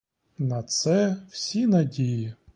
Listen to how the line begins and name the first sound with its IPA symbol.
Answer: n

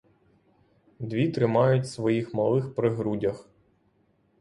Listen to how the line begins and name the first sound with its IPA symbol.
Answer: d̪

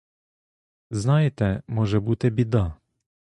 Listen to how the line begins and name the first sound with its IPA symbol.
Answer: z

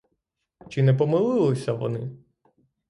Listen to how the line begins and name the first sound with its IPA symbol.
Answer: t͡ʃ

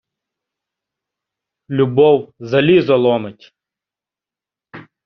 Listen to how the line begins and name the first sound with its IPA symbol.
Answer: lʲ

